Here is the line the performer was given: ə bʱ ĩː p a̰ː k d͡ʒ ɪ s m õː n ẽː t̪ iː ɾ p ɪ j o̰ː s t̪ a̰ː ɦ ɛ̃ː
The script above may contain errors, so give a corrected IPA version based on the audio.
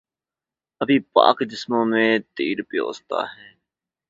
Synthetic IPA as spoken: ə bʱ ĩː p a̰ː k d͡ʒ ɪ s m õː m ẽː t̪ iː ɾ p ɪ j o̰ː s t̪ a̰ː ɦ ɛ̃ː

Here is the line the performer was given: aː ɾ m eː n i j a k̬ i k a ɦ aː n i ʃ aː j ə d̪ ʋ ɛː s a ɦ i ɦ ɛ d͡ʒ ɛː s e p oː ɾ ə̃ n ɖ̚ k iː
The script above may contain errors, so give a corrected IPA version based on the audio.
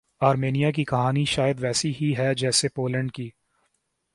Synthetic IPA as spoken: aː ɾ m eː n i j a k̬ i k ɐ ɦ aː n i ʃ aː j ə d̪ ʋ ɛː s i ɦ i ɦ ɛ d͡ʒ ɛː s e p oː l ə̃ ɳ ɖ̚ k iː

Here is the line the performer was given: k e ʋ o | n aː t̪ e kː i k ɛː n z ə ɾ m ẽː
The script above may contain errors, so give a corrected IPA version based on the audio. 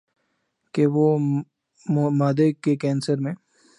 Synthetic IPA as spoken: k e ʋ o | m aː d̪ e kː e k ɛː n s ə ɾ m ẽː

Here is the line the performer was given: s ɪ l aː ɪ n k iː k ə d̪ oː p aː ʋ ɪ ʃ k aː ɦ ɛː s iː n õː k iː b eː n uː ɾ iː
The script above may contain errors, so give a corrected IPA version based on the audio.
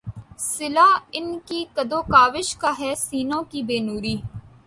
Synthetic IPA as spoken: s ɪ l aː ɪ n k iː k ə d̪ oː k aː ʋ ɪ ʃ k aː ɦ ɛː s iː n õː k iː b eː n uː ɾ iː

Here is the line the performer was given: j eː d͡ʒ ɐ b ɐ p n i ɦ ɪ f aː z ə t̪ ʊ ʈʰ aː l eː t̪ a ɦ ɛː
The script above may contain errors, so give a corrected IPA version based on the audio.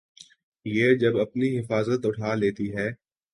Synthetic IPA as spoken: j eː d͡ʒ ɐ b ɐ p n i ɦ ɪ f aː z ə t̪ ʊ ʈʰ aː l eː t̪ i ɦ ɛː

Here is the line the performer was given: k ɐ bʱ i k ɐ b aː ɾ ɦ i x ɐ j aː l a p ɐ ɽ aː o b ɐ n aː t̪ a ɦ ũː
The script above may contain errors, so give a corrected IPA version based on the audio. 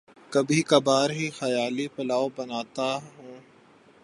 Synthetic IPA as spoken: k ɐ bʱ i k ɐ b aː ɾ ɦ i x ɐ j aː l i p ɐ l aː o b ɐ n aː t̪ a ɦ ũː

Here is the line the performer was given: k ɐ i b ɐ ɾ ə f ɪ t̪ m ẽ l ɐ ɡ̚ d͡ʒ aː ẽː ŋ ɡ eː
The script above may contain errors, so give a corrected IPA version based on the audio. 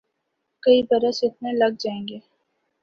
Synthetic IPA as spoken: k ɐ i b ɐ ɾ ə s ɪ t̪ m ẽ l ɐ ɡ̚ d͡ʒ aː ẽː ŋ ɡ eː

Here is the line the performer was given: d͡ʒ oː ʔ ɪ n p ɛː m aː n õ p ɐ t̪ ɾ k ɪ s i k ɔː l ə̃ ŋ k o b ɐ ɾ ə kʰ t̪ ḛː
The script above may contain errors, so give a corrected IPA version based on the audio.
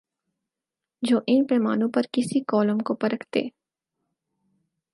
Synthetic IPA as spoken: d͡ʒ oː ʔ ɪ n p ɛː m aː n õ p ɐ ɾ k ɪ s i k ɔː l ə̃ m k o p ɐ ɾ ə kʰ t̪ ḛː

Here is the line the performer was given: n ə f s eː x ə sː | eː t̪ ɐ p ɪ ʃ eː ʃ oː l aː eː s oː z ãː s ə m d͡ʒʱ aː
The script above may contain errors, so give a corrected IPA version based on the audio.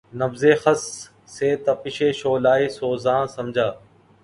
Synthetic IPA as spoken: n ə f z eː x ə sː | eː t̪ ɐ p ɪ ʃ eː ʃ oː l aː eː s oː z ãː s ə m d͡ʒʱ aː

